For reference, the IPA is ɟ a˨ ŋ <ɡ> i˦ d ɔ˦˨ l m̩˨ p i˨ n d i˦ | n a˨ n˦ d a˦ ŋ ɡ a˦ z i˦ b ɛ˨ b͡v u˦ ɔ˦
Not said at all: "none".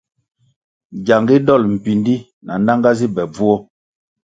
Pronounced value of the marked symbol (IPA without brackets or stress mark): ɡ